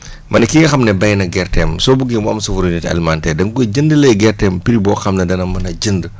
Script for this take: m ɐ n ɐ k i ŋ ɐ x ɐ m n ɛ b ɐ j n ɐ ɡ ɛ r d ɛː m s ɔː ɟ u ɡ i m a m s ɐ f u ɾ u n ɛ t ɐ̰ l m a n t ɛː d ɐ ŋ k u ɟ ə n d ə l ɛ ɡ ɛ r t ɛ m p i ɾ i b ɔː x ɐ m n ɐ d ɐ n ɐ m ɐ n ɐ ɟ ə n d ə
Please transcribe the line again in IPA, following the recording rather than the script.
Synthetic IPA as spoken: m ɐ n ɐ k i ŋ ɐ x ɐ m n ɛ b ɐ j n ɐ ɡ ɛ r t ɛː m s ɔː b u ɡ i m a m s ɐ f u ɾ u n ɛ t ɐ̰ l m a n t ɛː d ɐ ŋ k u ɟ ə n d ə l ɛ ɡ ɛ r t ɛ m p i ɾ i b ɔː x ɐ m n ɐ d ɐ n ɐ m ɐ n ɐ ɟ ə n d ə